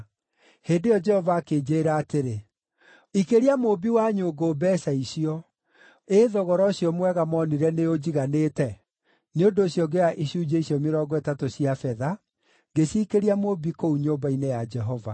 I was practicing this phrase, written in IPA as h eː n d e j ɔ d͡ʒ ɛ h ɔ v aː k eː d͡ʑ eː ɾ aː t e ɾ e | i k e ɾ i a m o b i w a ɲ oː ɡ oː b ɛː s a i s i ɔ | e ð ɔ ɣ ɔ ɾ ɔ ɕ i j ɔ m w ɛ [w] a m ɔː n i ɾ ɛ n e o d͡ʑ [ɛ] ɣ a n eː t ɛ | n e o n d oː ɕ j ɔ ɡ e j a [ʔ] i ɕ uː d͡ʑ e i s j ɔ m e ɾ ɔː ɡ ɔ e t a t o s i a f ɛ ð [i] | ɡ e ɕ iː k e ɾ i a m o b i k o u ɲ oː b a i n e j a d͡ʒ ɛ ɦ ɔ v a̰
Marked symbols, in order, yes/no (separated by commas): no, no, yes, no